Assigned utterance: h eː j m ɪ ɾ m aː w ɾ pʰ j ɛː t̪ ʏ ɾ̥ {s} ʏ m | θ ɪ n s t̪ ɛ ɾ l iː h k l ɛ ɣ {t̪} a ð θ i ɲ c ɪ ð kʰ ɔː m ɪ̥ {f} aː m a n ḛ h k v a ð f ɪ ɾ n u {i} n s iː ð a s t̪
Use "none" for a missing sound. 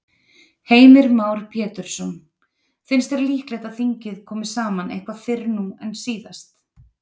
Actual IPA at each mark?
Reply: s, t̪, s, ɛ

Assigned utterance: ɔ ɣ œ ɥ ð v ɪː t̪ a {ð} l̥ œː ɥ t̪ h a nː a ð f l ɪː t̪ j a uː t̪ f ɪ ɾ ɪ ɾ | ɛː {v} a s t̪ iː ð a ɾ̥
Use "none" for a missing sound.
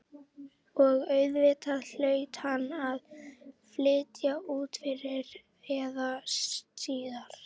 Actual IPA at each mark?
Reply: ð, ð

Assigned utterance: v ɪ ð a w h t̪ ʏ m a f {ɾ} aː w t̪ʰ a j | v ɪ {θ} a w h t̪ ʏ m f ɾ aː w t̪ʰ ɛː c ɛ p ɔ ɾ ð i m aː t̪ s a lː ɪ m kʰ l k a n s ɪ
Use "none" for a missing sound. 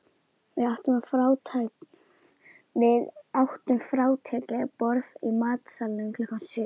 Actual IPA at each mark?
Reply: ɾ, ð

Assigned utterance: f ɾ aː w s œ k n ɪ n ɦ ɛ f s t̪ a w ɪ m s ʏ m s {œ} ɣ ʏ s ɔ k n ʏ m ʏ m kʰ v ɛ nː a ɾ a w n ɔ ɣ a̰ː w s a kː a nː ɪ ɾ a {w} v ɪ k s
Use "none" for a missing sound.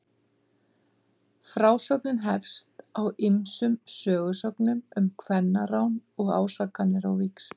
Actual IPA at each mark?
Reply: œː, w

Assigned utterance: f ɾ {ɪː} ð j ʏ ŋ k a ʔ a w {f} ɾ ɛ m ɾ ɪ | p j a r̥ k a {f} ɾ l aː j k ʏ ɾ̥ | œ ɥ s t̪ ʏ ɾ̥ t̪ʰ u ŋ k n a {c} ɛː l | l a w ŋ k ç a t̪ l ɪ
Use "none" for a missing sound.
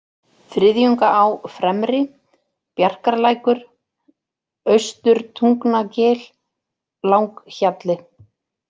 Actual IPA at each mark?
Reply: ɪ, f, none, c

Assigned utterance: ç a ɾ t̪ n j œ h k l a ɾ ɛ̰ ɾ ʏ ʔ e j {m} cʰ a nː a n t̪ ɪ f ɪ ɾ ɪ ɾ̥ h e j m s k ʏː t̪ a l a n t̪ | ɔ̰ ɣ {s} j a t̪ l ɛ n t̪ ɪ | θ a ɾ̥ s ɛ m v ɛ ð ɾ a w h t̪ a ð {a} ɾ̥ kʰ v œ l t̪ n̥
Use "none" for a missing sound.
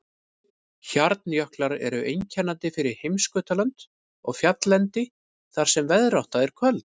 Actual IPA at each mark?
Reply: ɲ, f, ɛ

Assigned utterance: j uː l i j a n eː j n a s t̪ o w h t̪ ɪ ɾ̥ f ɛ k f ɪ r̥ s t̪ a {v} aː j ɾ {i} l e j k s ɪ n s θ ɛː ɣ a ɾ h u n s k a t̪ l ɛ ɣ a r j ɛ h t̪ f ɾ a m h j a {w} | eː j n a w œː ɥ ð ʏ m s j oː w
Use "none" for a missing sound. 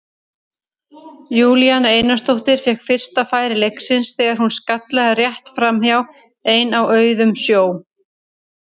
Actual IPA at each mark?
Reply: f, ɪ, w

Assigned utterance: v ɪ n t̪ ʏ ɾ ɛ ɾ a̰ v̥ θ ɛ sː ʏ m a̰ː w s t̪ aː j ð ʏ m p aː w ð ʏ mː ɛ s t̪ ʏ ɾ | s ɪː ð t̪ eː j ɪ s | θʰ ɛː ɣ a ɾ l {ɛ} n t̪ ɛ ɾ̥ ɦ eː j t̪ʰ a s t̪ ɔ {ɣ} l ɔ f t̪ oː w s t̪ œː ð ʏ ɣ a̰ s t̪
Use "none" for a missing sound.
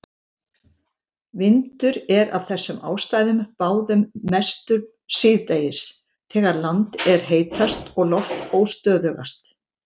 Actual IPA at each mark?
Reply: a, ɣ

